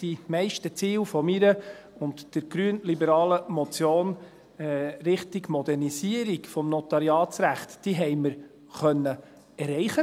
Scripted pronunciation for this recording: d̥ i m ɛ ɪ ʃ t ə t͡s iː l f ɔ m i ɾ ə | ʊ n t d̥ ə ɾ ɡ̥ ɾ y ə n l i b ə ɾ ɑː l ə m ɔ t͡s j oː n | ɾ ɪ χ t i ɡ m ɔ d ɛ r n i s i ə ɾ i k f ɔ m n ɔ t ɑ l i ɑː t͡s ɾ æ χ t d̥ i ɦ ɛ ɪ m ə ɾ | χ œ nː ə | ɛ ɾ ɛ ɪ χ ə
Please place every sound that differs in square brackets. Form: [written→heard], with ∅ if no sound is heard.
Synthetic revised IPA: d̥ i m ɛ ɪ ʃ t ə t͡s iː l f ɔ m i ɾ ə | ʊ n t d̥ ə ɾ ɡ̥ ɾ y ə n l i b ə ɾ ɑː l ə m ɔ t͡s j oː n | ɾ ɪ χ t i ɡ m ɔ d ɛ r n i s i ə ɾ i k f ɔ m n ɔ t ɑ [l→ɾ] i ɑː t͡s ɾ æ χ t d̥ i ɦ ɛ ɪ m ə ɾ | χ œ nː ə | ɛ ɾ ɛ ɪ χ ə